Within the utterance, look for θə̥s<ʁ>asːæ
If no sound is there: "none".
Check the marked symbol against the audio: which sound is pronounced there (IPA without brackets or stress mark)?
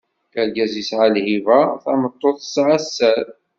ʕ